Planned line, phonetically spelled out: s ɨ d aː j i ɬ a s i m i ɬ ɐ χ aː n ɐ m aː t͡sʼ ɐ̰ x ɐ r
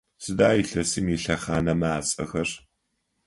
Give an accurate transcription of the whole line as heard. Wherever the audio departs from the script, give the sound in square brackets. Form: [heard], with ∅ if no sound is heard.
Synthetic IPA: s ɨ d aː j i ɬ [ɐ] s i m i ɬ ɐ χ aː n ɐ m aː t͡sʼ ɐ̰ x ɐ r